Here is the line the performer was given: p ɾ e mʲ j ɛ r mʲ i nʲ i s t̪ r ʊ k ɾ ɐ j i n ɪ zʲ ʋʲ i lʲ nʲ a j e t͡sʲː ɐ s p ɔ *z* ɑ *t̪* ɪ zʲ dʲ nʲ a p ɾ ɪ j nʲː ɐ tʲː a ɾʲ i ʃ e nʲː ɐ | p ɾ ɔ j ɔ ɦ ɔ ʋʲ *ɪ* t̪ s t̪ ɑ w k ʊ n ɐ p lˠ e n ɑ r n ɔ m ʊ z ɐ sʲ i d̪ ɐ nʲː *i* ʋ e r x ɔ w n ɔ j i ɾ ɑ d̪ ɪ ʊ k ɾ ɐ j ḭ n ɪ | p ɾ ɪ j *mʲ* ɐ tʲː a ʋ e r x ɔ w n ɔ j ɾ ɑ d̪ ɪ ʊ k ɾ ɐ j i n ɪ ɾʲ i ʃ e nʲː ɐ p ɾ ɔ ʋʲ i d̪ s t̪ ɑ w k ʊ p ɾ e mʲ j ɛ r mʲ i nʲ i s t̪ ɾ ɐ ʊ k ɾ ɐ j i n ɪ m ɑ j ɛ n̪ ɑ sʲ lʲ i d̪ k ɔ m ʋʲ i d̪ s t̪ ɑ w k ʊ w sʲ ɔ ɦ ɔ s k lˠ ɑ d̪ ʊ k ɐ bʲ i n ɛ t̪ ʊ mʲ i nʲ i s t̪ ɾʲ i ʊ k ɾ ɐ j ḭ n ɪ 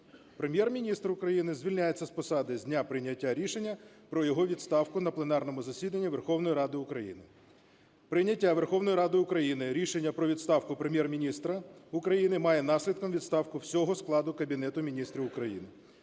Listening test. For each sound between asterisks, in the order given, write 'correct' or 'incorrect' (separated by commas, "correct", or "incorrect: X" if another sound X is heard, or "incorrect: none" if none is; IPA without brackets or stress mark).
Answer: incorrect: s, incorrect: d̪, incorrect: i, correct, incorrect: nʲ